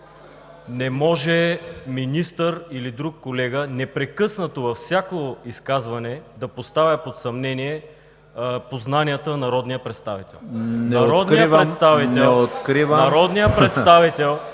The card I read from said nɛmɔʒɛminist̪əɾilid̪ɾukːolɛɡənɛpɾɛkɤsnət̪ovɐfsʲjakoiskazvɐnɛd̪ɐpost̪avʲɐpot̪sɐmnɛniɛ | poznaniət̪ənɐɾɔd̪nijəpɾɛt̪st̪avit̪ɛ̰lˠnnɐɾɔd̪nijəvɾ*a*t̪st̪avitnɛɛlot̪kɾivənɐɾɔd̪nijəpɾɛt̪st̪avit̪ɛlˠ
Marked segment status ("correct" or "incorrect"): incorrect